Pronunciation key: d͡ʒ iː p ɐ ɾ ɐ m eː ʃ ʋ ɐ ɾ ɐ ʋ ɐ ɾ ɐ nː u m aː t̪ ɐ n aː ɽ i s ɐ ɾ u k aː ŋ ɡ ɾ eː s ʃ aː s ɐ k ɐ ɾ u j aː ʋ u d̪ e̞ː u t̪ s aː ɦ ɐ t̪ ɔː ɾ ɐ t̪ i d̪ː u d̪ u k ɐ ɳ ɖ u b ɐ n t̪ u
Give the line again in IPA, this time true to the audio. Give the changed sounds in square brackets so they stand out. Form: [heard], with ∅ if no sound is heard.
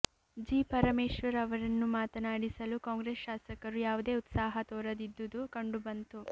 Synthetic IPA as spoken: d͡ʒ iː p ɐ ɾ ɐ m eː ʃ ʋ ɐ ɾ ɐ ʋ ɐ ɾ ɐ nː u m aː t̪ ɐ n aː ɽ i s ɐ [l] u k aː ŋ ɡ ɾ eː s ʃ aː s ɐ k ɐ ɾ u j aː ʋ u d̪ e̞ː u t̪ s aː ɦ ɐ t̪ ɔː ɾ ɐ [d̪] i d̪ː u d̪ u k ɐ ɳ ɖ u b ɐ n t̪ u